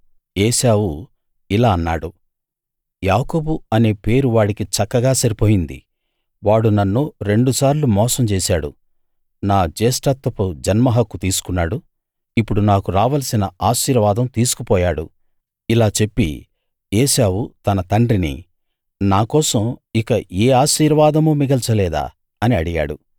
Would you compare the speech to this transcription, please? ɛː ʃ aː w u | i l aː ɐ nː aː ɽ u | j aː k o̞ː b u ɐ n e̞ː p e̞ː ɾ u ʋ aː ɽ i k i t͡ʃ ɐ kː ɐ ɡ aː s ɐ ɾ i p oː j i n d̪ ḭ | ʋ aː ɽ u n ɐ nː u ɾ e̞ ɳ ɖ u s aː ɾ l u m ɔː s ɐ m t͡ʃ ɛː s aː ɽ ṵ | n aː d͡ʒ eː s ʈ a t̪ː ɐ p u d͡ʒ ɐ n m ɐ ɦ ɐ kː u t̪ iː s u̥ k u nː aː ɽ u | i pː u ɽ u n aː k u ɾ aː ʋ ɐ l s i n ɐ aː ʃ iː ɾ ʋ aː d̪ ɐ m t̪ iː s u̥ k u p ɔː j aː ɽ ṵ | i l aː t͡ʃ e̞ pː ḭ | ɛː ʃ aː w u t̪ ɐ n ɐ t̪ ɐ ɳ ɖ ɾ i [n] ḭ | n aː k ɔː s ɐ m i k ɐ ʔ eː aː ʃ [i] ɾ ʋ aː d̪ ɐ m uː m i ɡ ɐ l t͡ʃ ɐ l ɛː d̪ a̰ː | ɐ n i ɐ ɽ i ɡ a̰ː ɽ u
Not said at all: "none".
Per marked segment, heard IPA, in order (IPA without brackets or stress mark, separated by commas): n, iː